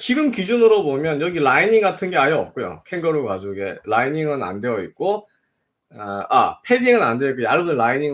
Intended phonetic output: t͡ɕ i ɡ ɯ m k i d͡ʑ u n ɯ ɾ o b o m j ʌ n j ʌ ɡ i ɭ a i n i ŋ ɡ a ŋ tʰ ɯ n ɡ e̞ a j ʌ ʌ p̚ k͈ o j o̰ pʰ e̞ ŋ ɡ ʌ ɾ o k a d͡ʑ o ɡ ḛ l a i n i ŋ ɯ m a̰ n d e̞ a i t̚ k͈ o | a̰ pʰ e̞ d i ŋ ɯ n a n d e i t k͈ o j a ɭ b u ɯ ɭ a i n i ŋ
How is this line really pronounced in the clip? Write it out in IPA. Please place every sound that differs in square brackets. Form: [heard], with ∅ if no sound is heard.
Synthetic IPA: t͡ɕ i ɡ ɯ m k i d͡ʑ u n ɯ ɾ o b o m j ʌ n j ʌ ɡ i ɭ a i n i ŋ ɡ a [∅] tʰ ɯ n ɡ e̞ a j ʌ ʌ p̚ k͈ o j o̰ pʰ e̞ ŋ ɡ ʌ ɾ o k a d͡ʑ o ɡ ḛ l a i n i ŋ ɯ [n] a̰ n d e̞ [ʌ] i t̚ k͈ o | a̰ pʰ e̞ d i ŋ ɯ n a n d e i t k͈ o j a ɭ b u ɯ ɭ a i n i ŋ